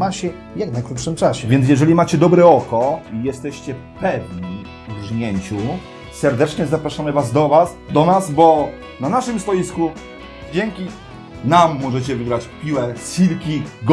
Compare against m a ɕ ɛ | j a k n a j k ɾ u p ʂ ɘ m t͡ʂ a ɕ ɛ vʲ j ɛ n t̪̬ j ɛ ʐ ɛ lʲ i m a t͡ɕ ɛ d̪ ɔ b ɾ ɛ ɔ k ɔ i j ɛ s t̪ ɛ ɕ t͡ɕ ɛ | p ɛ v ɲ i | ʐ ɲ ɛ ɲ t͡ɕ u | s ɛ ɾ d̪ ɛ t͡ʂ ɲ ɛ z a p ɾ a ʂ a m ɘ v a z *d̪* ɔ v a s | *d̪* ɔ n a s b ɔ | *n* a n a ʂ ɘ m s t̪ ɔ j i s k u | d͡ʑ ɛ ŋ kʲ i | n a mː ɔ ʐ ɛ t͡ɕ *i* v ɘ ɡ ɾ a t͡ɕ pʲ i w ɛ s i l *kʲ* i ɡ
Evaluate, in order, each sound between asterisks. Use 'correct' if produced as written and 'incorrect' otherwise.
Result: correct, correct, correct, incorrect, correct

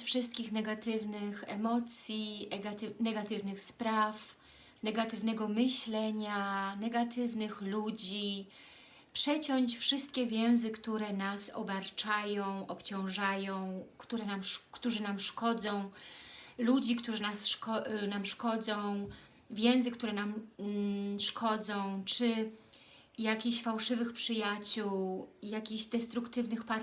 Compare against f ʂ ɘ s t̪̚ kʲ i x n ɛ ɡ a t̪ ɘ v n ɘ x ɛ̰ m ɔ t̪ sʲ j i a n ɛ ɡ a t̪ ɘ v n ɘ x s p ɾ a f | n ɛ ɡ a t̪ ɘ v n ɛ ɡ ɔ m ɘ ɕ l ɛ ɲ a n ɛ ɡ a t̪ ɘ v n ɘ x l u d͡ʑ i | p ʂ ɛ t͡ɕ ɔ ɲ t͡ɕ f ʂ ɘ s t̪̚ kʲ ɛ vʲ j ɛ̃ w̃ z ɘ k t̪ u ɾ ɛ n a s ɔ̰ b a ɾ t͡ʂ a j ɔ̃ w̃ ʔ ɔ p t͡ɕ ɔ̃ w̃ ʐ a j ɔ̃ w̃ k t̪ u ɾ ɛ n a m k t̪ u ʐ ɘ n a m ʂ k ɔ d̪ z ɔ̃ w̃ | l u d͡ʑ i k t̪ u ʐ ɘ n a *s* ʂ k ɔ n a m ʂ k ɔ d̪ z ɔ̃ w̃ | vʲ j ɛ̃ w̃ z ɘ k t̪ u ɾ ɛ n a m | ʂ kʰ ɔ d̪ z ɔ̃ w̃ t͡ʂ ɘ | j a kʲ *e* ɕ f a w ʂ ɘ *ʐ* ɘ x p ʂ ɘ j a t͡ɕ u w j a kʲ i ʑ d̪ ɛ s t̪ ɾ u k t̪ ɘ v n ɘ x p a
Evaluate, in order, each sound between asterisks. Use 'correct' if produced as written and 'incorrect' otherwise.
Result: correct, incorrect, incorrect

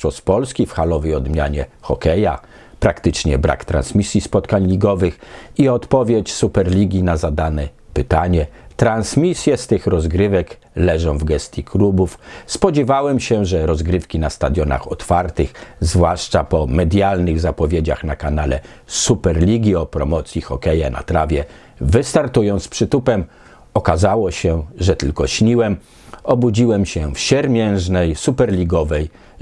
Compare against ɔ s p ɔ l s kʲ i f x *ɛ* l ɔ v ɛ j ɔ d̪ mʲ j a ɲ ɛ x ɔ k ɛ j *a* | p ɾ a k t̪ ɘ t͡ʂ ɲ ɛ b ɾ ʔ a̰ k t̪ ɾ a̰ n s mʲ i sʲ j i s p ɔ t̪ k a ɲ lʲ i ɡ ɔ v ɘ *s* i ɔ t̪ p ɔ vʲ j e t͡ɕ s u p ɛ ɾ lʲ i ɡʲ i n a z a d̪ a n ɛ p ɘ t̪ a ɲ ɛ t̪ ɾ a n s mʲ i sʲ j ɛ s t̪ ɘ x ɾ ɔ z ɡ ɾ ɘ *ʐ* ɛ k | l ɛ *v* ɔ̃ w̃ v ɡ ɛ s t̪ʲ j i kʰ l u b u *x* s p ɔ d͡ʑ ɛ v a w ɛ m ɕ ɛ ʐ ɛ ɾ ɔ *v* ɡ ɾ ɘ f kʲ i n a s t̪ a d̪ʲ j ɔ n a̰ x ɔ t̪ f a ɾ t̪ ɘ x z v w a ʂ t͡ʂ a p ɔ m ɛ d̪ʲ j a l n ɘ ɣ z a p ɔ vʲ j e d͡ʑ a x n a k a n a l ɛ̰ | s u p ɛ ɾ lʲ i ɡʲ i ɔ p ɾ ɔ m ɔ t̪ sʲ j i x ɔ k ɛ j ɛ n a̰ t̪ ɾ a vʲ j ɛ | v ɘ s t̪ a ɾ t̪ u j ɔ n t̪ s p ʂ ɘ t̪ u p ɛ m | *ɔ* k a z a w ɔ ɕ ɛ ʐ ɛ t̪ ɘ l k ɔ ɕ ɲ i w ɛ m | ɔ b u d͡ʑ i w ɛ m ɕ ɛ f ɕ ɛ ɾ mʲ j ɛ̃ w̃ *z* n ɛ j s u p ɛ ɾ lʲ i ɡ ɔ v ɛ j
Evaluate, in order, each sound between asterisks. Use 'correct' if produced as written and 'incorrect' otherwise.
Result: incorrect, correct, incorrect, incorrect, incorrect, incorrect, incorrect, correct, incorrect

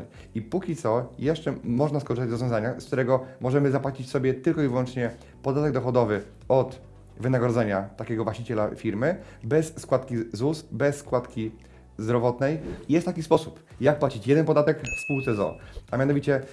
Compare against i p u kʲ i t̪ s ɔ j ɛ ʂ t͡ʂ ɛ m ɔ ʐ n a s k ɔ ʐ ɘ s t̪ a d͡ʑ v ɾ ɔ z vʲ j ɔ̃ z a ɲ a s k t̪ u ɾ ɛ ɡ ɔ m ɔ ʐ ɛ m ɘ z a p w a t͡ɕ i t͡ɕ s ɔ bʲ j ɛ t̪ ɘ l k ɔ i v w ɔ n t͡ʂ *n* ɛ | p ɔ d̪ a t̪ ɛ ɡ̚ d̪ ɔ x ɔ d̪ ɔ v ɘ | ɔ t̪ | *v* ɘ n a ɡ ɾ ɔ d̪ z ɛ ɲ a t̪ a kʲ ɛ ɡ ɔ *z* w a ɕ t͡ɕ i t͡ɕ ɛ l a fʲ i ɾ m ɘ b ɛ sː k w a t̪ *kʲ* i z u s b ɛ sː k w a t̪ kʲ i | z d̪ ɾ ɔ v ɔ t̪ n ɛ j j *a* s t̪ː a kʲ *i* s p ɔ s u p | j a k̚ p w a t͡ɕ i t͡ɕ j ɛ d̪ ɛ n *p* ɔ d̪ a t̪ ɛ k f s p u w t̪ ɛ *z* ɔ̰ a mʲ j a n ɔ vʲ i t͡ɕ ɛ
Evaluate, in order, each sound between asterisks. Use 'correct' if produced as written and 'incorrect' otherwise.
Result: incorrect, correct, incorrect, correct, incorrect, correct, correct, correct

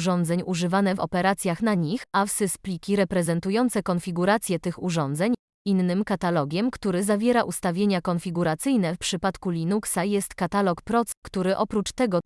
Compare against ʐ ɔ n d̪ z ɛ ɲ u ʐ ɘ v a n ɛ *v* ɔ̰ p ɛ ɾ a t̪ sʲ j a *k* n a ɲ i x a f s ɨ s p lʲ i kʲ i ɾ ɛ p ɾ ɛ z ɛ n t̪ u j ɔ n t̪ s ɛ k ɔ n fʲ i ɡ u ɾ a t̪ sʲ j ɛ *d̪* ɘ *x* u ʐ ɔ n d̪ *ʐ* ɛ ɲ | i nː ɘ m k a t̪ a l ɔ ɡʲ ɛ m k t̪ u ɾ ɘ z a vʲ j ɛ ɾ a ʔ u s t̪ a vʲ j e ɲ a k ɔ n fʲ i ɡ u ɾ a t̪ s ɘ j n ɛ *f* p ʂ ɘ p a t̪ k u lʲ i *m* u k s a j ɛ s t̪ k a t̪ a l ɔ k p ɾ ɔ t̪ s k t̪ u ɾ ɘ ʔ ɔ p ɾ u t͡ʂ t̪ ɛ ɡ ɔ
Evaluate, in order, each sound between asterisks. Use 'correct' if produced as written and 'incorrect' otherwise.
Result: correct, incorrect, incorrect, correct, incorrect, correct, incorrect

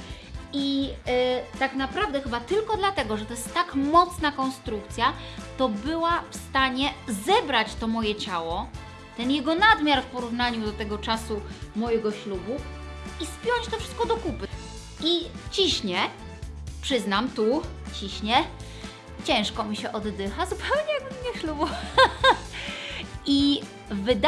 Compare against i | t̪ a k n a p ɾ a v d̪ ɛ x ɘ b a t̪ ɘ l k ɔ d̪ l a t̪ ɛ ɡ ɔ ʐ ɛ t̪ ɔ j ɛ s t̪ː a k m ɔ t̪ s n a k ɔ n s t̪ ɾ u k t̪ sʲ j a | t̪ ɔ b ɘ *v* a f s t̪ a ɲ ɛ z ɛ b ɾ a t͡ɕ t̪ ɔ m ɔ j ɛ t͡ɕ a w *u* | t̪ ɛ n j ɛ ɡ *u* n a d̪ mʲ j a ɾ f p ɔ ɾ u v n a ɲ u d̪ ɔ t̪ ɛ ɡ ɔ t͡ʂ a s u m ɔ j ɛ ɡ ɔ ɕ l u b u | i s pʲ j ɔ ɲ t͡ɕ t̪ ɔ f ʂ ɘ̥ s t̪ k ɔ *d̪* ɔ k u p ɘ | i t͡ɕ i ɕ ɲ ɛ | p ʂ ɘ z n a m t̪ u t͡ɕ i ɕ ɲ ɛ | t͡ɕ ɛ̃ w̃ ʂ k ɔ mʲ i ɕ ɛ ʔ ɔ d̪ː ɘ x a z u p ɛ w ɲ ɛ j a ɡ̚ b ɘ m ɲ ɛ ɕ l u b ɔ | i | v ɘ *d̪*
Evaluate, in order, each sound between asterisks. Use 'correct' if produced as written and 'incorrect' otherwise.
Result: incorrect, incorrect, incorrect, correct, correct

